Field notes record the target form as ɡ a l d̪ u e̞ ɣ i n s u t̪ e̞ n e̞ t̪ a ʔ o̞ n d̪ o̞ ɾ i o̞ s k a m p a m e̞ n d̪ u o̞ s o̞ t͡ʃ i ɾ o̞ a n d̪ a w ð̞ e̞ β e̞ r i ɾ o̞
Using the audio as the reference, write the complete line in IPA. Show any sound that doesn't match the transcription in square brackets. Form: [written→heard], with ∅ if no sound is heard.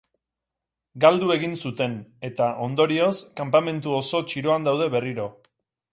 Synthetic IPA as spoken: ɡ a l d̪ u e̞ ɣ i n s u t̪ e̞ n e̞ t̪ a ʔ o̞ n d̪ o̞ ɾ i o̞ s k a m p a m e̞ n [d̪→t̪] u o̞ s o̞ t͡ʃ i ɾ o̞ a n d̪ a w ð̞ e̞ β e̞ r i ɾ o̞